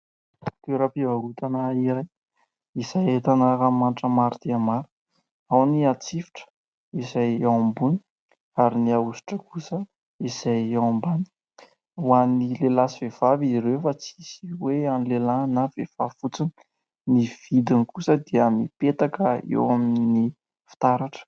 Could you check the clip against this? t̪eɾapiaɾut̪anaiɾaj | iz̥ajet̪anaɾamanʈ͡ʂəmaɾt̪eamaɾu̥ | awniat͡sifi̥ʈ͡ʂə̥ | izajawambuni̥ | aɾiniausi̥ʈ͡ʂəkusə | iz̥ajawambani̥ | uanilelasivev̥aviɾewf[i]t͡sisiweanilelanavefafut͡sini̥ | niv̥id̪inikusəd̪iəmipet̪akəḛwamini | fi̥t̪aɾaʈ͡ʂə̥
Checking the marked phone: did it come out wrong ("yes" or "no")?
yes